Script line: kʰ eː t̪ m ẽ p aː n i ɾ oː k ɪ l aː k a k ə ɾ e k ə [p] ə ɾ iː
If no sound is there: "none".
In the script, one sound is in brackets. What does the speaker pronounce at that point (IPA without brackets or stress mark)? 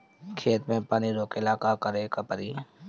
p